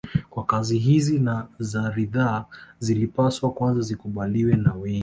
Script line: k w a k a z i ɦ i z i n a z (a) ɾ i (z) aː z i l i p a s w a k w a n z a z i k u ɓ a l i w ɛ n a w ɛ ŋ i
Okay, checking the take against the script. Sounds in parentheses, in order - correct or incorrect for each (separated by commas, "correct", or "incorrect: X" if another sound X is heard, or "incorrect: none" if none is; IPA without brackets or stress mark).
correct, incorrect: ð